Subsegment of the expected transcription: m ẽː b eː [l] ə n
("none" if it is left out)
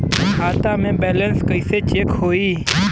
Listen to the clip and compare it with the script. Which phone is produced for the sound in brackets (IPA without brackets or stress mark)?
l